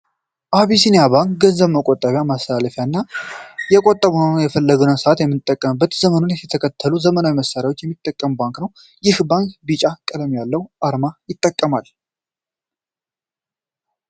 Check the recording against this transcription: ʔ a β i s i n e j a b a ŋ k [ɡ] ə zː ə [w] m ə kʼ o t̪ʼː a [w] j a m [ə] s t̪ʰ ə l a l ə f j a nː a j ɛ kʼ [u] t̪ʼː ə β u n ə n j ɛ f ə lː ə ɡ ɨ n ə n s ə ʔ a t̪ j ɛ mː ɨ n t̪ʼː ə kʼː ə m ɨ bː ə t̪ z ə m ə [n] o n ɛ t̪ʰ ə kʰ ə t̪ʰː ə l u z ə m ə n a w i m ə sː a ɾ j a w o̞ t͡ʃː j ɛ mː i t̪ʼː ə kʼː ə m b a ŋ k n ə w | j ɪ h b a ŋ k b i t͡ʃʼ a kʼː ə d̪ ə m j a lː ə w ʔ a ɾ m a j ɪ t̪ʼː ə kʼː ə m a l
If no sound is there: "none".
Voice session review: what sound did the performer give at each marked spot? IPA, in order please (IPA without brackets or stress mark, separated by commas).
ɡ, β, β, a, o, n